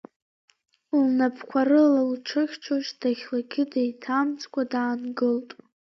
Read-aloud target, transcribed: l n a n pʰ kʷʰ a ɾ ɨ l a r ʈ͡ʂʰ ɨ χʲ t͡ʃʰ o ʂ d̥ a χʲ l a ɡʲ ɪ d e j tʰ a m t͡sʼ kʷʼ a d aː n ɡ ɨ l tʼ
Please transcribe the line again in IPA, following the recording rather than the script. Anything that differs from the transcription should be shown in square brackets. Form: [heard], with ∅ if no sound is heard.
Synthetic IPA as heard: l n a [∅] pʰ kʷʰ a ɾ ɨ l a [l] ʈ͡ʂʰ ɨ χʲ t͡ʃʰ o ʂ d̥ a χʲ l a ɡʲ ɪ d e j tʰ a m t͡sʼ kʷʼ a d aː n ɡ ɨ l tʼ